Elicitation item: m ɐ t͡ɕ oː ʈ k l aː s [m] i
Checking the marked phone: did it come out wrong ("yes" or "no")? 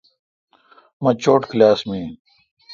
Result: no